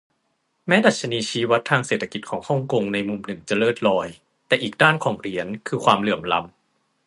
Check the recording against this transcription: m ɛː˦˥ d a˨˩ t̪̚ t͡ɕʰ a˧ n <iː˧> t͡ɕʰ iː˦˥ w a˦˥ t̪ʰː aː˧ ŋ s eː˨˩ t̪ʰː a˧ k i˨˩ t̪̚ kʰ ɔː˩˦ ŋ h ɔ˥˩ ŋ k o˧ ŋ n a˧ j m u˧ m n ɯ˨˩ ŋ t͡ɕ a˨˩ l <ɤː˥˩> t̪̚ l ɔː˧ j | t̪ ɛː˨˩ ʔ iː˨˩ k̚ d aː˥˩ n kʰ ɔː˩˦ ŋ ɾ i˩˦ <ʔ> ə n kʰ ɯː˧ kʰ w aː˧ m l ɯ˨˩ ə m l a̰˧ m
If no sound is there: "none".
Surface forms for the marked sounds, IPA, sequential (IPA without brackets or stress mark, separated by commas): iː˧, ɤː˥˩, none